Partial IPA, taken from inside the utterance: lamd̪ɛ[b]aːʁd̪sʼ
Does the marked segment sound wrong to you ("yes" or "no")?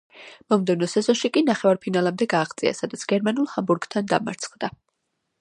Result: yes